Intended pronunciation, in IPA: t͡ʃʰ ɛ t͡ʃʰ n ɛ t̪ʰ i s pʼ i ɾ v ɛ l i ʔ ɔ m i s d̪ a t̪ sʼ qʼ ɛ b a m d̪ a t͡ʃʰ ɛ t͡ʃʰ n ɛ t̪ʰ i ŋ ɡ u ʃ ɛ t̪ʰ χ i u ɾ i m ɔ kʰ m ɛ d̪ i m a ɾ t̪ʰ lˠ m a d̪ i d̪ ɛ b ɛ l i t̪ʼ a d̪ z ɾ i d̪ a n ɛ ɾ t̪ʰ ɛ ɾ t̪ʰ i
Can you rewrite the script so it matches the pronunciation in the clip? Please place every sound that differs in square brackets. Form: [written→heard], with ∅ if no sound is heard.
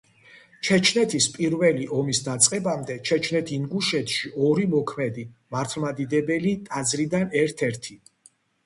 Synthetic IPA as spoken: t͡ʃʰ ɛ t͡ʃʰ n ɛ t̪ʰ i s pʼ i ɾ v ɛ l i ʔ ɔ m i s d̪ a t̪ sʼ qʼ ɛ b a m d̪ [a→ɛ] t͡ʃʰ ɛ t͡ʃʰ n ɛ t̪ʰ i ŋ ɡ u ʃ ɛ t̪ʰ [χ→ʃ] i [u→ɔ] ɾ i m ɔ kʰ m ɛ d̪ i m a ɾ t̪ʰ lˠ m a d̪ i d̪ ɛ b ɛ l i t̪ʼ a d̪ z ɾ i d̪ a n ɛ ɾ t̪ʰ ɛ ɾ t̪ʰ i

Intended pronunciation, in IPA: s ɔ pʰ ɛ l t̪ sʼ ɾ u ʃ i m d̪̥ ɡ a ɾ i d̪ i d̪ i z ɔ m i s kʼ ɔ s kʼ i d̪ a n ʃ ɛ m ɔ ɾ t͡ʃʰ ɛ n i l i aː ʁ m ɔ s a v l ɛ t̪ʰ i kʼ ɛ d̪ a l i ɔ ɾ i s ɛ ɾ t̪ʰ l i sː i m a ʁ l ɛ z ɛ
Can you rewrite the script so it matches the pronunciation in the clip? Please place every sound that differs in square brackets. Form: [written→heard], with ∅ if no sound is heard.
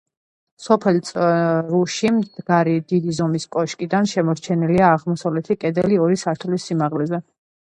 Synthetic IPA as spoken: s ɔ pʰ ɛ l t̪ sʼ ɾ u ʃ i m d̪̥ ɡ a ɾ i d̪ i d̪ i z ɔ m i s kʼ ɔ [s→ʃ] kʼ i d̪ a n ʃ ɛ m ɔ ɾ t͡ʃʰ ɛ n i l i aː ʁ m ɔ s a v l ɛ t̪ʰ i kʼ ɛ d̪ [a→ɛ] l i ɔ ɾ i s [ɛ→a] ɾ t̪ʰ l i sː i m a ʁ l ɛ z ɛ

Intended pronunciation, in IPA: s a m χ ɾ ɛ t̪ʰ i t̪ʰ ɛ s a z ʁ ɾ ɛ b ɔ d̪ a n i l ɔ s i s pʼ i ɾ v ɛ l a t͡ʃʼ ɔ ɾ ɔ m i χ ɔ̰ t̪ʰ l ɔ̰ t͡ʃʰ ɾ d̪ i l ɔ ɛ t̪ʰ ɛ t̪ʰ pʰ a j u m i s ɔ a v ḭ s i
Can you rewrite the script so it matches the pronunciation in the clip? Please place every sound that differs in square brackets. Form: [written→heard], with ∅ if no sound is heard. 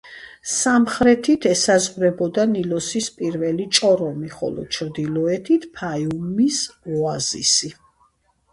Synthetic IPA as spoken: s a m χ ɾ ɛ t̪ʰ i t̪ʰ ɛ s a z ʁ ɾ ɛ b ɔ d̪ a n i l ɔ s i s pʼ i ɾ v ɛ l [a→i] t͡ʃʼ ɔ ɾ ɔ m i χ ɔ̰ [t̪ʰ→∅] l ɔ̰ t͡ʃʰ ɾ d̪ i l ɔ ɛ t̪ʰ [ɛ→i] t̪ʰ pʰ a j u m i s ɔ a [v→z] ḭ s i

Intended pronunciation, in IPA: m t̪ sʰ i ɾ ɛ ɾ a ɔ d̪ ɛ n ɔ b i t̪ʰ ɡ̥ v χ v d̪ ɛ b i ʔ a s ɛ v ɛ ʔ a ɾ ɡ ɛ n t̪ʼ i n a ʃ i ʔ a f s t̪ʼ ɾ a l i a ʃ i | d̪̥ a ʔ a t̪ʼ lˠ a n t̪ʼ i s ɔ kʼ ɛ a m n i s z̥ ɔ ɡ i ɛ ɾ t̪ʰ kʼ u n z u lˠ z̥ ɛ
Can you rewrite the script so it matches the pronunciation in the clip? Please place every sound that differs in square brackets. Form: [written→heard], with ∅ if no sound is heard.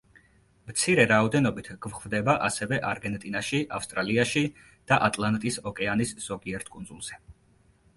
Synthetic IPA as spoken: m t̪ sʰ i ɾ ɛ ɾ a ɔ d̪ ɛ n ɔ b i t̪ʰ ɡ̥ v χ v d̪ ɛ b [i→a] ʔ a s ɛ v ɛ ʔ a ɾ ɡ ɛ n t̪ʼ i n a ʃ i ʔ a f s t̪ʼ ɾ a l i a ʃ i | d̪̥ a ʔ a t̪ʼ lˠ a n t̪ʼ i s ɔ kʼ ɛ a [m→∅] n i s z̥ ɔ ɡ i ɛ ɾ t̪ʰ kʼ u n z u lˠ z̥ ɛ

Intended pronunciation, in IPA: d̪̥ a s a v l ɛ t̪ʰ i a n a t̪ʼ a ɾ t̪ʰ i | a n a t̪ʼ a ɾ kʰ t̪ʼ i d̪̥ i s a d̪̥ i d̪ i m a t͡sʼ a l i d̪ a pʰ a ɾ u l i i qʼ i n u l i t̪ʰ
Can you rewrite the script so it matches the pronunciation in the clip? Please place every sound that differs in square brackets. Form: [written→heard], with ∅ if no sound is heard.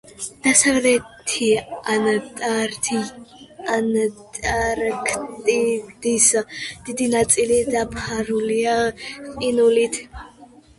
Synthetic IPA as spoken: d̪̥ a s a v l ɛ t̪ʰ i a n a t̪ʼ a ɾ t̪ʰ i | a n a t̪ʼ a ɾ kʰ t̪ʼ i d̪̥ i s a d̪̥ i d̪ i [m→n] a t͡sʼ [a→i] l i d̪ a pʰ a ɾ u l i [i→a] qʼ i n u l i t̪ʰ

